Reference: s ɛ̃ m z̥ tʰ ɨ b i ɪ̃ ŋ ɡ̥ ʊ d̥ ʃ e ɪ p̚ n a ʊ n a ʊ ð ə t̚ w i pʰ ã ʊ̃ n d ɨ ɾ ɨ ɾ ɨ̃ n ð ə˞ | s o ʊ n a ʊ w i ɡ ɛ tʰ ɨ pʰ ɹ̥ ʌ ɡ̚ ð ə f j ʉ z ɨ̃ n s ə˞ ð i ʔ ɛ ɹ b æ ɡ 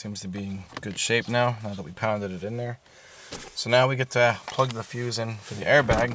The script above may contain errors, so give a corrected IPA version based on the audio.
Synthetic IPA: s ĩ m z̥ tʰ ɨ b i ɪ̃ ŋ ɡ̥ ʊ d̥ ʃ e ɪ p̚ n a ʊ n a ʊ ð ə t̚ w i pʰ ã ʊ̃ n d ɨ ɾ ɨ ɾ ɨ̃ n ð ə˞ | s o ʊ n a ʊ w i ɡ ɛ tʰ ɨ pʰ l̥ ʌ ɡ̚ ð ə f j ʉ z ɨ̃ n f ə˞ ð i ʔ ɛ ɹ b æ ɡ